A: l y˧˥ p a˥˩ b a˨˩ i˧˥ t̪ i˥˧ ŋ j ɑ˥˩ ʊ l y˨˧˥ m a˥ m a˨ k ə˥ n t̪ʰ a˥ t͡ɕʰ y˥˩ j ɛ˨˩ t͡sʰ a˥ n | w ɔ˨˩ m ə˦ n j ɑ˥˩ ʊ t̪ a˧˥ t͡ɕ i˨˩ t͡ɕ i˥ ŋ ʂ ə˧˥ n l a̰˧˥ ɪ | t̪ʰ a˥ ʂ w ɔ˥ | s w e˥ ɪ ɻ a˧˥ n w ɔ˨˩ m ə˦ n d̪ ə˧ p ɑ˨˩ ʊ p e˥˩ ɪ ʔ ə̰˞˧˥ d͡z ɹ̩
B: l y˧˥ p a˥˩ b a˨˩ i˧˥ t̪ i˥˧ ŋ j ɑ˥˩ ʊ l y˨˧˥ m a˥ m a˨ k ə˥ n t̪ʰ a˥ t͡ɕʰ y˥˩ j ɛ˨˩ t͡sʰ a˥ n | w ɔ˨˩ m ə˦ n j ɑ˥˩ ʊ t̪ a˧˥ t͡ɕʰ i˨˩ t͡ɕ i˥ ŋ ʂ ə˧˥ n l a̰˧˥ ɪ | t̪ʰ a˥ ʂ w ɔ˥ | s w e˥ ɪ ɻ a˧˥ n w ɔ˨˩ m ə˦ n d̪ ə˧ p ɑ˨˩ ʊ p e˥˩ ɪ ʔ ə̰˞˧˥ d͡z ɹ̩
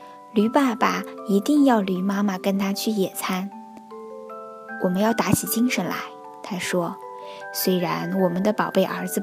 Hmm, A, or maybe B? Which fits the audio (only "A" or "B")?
B